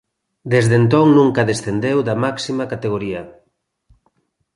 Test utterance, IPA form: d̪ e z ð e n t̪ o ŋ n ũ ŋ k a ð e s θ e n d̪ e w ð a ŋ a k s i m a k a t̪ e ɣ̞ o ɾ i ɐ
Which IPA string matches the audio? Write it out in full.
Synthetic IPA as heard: d̪ e z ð e n t̪ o ŋ n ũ ŋ k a ð e s θ e n d̪ e w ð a m a k s i m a k a t̪ e ɣ̞ o ɾ i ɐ

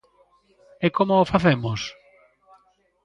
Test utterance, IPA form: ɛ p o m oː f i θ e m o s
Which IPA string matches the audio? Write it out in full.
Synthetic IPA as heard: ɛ k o m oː f a θ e m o s

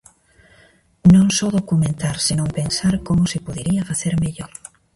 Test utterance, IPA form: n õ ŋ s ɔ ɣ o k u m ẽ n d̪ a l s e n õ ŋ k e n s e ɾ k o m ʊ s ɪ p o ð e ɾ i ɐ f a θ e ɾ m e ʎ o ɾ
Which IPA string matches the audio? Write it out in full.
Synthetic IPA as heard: n õ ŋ s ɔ ð o k u m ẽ n t̪ a ɾ s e n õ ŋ p e n s a ɾ k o m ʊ s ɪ p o ð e ɾ i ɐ f a θ e ɾ m e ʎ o ɾ

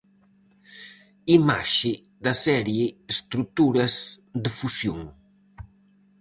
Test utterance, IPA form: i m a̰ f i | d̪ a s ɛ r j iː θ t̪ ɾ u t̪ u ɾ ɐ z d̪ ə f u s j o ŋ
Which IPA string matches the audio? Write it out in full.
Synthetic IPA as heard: i m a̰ ʃ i | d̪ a s ɛ ɾ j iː s t̪ ɾ u t̪ u ɾ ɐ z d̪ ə f u s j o ŋ

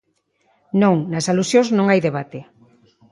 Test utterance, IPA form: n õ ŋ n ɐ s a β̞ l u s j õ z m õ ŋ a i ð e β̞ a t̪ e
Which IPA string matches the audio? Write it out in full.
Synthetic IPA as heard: n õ ŋ n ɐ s a l u s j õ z n õ ŋ a j ð e β̞ a t̪ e

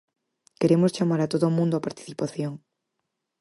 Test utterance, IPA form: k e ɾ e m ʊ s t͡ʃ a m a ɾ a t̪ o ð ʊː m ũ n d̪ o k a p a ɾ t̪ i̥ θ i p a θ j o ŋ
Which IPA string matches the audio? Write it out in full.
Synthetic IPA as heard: k e ɾ e m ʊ s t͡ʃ a m a ɾ a t̪ o ð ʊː m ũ n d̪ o a p a ɾ t̪ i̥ θ i p a θ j o ŋ

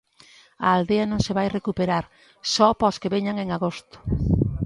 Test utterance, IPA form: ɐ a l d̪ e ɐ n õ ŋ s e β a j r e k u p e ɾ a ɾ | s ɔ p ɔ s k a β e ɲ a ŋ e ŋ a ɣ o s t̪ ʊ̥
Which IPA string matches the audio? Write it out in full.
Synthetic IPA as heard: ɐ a l d̪ e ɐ n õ ŋ s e β a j r e k u p e ɾ a ɾ | s ɔ p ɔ s k e β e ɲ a ŋ e ŋ a ɣ o s t̪ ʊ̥

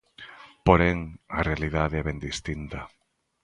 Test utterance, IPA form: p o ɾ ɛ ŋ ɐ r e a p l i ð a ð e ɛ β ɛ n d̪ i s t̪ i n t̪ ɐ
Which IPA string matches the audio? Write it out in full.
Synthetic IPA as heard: p o ɾ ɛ ŋ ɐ r e a l i ð a ð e ɛ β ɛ n d̪ i s t̪ i n t̪ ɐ

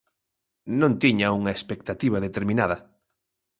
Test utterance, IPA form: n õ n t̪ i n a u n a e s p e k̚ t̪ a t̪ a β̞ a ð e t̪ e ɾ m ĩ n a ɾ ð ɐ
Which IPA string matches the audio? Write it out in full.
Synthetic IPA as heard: n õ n t̪ i ɲ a u ŋ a e s p e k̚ t̪ a t̪ i β̞ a ð e t̪ e ɾ m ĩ n a ð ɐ

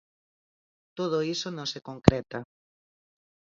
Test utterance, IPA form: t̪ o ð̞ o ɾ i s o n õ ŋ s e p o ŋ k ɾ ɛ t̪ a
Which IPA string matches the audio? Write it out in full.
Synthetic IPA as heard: t̪ o ð̞ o i s o n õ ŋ s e k o ŋ k ɾ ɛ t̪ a

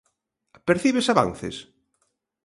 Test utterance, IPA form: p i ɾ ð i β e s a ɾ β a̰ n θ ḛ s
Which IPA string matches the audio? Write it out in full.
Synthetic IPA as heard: p e ɾ θ i β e s a β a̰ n θ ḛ s

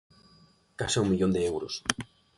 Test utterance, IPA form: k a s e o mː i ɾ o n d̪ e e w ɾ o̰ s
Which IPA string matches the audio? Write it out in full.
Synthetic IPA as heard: k a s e u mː i ʎ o n d̪ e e w ɾ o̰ s

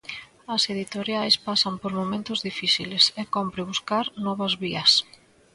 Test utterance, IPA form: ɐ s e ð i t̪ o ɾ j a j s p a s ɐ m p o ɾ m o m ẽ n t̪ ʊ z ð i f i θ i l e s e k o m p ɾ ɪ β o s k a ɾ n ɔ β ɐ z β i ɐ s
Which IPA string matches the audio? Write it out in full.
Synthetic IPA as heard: ɐ s e ð i t̪ o ɾ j a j s p a s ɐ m p o ɾ m o m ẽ n t̪ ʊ z ð i f i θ i l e s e k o m p ɾ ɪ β u s k a ɾ n ɔ β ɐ z β i ɐ s

